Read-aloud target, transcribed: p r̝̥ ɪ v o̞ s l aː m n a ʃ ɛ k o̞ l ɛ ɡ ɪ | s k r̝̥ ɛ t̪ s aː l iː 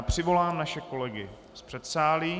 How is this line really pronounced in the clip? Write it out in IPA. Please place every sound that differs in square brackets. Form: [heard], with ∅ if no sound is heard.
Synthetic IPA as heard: p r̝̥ ɪ v o̞ [∅] l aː m n a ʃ ɛ k o̞ l ɛ ɡ ɪ | s [p] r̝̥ ɛ t̪ s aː l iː